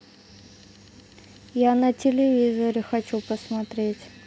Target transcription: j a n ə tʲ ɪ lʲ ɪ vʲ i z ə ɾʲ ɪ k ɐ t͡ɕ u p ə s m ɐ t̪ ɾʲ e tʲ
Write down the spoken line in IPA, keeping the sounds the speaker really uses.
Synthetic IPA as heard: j a n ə tʲ ɪ lʲ ɪ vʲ i z ə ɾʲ ɪ x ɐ t͡ɕ u p ə s m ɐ t̪ ɾʲ e tʲ